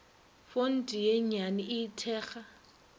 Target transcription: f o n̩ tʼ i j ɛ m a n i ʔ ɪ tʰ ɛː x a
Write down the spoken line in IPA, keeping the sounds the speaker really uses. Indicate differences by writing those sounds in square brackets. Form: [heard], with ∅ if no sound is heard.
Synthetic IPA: f o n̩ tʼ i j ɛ [ɲ] a n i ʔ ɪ tʰ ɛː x a